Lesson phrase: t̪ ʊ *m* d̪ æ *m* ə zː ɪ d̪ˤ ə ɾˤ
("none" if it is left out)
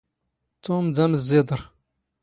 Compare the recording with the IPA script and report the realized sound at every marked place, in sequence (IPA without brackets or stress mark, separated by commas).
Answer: m, m